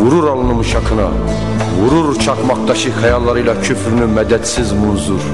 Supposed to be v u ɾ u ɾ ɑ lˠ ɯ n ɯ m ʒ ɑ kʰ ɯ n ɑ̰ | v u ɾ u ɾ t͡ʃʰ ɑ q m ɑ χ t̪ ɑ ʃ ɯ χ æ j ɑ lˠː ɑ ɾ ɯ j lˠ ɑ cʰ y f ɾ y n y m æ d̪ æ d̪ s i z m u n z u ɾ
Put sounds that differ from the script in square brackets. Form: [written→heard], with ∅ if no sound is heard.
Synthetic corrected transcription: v u ɾ u ɾ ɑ lˠ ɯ n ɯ m [ʒ→ʃ] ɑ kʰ ɯ n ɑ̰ | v u ɾ u ɾ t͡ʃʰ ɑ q m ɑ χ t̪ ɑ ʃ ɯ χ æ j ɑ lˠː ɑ ɾ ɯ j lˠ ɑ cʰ y f ɾ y n y m æ d̪ æ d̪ s i z m u n z u ɾ